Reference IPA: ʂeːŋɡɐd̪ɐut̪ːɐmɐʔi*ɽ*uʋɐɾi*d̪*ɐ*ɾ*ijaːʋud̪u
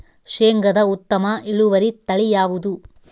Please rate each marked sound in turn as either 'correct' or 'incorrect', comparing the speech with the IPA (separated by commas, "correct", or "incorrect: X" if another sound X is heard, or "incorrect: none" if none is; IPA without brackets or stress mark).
incorrect: ɭ, incorrect: t̪, incorrect: ɭ